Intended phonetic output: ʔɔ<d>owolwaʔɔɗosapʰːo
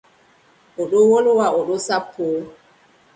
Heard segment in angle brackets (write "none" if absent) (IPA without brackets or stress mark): ɗ